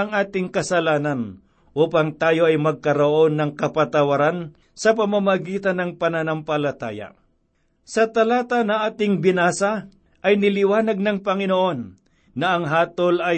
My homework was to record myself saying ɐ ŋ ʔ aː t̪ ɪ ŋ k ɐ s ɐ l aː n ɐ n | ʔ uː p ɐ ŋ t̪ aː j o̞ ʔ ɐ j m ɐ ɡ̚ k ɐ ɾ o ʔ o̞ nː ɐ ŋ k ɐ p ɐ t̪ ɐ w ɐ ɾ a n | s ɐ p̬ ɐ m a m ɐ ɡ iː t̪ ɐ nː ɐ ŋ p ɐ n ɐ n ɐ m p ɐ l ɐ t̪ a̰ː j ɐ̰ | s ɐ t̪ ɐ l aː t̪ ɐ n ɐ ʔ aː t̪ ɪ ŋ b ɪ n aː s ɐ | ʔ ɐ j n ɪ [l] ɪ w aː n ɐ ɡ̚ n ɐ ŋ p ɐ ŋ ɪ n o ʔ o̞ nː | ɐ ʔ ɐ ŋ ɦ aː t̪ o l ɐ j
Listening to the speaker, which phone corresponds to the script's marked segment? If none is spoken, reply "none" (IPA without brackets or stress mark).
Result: l